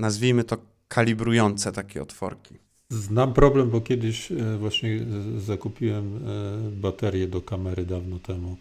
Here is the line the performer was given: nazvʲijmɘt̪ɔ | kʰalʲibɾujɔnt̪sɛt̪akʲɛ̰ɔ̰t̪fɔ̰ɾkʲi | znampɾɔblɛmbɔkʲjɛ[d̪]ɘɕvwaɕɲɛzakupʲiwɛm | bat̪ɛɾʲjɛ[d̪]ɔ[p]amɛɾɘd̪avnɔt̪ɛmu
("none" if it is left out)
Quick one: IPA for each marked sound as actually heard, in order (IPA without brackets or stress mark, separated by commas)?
d̪, d̪, k